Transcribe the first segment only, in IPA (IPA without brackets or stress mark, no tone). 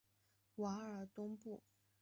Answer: w